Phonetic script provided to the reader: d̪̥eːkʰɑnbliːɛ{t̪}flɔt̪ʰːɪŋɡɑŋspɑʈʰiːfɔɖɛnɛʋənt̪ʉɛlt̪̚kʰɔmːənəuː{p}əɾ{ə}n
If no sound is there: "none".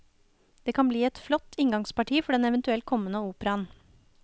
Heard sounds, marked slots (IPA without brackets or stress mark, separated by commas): t̪, p, ɑ